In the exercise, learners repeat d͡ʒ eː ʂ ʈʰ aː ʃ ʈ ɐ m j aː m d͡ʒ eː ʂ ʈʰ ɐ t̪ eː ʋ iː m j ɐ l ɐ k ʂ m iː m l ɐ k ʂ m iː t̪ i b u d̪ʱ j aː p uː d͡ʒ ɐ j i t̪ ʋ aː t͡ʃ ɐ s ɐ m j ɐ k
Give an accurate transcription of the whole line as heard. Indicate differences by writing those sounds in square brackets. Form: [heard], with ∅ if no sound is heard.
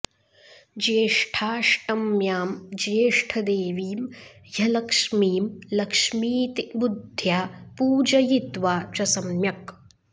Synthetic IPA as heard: d͡ʒ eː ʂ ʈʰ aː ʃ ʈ ɐ m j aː m d͡ʒ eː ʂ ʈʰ ɐ [d̪] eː ʋ iː m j ɐ l ɐ k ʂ m iː m l ɐ k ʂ m iː t̪ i b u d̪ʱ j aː p uː d͡ʒ ɐ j i t̪ ʋ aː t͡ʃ ɐ s ɐ m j ɐ k